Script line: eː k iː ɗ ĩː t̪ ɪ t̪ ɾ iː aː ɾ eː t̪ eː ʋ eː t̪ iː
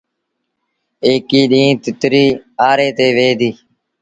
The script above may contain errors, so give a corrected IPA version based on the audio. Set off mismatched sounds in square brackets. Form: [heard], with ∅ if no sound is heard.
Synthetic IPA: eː k iː ɗ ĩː t̪ ɪ t̪ ɾ iː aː ɾ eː t̪ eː ʋ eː [d̪] iː